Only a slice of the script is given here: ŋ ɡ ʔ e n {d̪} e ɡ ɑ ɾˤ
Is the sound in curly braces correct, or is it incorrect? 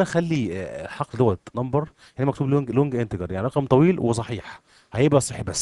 incorrect: t̪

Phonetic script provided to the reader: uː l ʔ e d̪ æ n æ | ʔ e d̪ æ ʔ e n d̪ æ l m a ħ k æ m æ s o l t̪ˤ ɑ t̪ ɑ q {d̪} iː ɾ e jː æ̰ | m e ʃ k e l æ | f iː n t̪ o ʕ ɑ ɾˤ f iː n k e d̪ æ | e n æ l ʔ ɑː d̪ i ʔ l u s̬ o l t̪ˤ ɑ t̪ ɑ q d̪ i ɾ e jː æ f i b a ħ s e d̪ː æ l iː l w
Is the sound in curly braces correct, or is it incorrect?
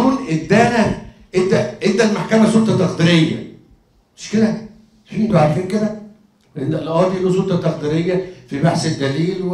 correct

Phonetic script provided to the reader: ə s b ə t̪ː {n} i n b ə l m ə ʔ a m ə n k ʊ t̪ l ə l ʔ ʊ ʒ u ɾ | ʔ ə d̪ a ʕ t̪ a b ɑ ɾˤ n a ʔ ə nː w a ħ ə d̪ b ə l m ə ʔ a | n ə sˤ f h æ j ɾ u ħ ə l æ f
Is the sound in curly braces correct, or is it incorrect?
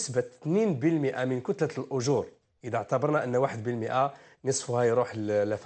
correct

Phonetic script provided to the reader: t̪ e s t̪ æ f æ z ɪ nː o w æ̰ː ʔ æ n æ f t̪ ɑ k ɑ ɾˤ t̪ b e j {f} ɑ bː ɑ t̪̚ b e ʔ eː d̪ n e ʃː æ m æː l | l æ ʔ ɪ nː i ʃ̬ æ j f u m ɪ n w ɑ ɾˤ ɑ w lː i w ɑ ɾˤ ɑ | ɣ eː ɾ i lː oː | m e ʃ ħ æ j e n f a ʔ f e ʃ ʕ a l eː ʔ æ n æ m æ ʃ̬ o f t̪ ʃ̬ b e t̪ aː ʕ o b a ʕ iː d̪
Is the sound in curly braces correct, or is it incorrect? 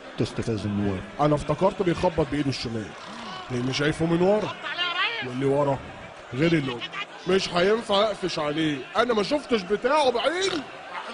incorrect: x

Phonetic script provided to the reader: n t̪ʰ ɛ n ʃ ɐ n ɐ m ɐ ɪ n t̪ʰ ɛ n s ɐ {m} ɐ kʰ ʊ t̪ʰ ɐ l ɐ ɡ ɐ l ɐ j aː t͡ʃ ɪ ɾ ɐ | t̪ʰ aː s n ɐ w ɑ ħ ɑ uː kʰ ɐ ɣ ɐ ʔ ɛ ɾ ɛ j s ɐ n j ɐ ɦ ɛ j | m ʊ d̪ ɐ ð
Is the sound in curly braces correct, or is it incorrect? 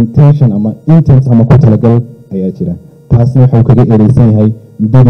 correct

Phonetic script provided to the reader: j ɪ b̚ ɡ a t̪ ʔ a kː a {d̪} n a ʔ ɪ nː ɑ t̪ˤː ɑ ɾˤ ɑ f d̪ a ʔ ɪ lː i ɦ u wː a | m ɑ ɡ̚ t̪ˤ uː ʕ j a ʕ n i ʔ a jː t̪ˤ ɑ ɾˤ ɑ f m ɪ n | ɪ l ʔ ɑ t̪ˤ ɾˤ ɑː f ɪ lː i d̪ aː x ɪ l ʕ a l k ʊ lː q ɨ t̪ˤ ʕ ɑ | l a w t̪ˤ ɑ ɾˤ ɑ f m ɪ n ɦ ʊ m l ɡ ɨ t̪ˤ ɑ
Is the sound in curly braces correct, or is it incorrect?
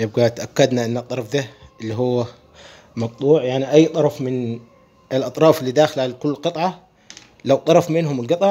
correct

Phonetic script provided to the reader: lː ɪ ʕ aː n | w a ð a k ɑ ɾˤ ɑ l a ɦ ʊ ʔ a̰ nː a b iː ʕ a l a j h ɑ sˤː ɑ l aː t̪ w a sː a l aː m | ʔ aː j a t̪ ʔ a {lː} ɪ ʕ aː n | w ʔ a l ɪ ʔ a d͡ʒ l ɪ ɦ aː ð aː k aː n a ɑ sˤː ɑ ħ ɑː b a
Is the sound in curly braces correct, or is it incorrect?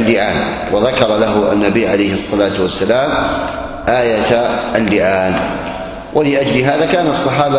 correct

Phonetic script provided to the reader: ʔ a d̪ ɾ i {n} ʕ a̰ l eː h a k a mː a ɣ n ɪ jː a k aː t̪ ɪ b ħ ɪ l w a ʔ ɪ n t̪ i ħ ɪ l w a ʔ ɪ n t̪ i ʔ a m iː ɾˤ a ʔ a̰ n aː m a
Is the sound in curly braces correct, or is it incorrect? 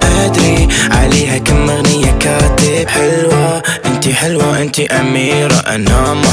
incorrect: none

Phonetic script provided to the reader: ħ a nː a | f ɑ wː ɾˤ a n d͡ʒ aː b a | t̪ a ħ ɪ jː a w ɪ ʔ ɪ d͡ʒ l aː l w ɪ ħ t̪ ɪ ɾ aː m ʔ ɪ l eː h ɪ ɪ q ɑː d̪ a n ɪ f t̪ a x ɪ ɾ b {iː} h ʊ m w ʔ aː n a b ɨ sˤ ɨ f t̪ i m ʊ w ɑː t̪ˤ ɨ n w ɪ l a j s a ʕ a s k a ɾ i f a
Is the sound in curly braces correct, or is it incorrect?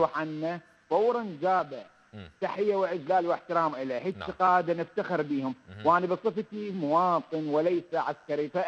correct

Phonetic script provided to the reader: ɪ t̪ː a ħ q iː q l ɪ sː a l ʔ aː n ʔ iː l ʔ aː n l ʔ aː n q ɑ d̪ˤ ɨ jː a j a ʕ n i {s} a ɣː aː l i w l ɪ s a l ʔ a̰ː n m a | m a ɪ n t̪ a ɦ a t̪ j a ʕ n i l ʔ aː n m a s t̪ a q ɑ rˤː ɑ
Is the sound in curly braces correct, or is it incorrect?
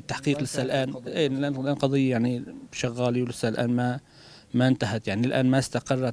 incorrect: ʃ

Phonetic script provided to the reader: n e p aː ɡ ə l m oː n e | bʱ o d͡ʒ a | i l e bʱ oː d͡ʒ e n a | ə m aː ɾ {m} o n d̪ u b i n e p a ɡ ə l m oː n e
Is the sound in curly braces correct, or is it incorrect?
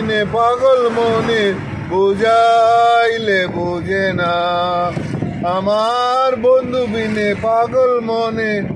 incorrect: b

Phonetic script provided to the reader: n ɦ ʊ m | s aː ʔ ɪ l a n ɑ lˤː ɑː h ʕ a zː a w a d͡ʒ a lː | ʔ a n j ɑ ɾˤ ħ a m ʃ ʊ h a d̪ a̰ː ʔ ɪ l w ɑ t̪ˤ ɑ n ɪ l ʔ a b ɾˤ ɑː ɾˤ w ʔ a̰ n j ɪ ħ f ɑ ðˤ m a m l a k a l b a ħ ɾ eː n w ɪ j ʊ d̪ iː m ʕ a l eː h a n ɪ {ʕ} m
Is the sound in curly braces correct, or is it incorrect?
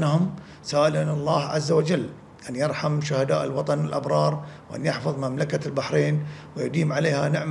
correct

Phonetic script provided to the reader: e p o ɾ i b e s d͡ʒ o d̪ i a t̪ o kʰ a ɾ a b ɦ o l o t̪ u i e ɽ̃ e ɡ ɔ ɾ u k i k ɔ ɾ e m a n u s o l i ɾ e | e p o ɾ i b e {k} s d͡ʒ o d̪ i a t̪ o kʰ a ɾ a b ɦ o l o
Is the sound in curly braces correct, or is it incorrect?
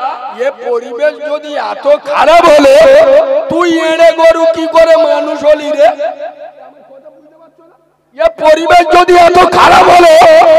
incorrect: none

